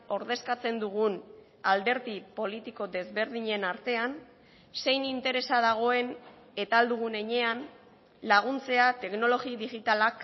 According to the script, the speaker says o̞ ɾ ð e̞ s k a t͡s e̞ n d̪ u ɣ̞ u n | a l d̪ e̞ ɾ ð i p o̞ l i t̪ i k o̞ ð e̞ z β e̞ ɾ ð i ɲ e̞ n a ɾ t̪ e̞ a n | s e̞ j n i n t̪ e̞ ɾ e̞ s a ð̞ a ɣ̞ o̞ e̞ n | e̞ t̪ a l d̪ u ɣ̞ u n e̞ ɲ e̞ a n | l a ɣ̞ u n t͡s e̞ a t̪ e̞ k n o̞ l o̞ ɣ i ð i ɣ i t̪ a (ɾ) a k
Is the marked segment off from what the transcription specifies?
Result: yes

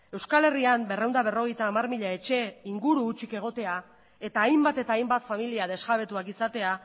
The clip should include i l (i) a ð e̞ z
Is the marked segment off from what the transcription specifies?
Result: no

